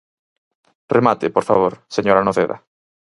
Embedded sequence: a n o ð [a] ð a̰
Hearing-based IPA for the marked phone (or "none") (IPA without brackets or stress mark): e